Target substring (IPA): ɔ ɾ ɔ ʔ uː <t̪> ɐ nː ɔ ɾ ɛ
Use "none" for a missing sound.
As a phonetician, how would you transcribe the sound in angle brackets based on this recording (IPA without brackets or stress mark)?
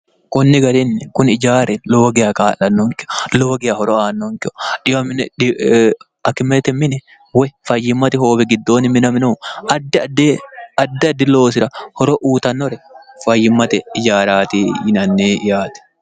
t̪